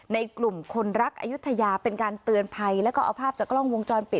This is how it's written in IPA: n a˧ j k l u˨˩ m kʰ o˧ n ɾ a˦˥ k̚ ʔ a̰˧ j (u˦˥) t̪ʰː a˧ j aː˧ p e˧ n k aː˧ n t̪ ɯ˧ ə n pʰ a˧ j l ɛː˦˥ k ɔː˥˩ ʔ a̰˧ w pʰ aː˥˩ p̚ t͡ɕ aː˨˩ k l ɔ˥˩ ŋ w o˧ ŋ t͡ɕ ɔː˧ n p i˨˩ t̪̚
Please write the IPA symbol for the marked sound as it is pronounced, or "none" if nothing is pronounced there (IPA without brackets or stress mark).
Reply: u˦˥